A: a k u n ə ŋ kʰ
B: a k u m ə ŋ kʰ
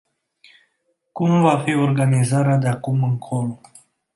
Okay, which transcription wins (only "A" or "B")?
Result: B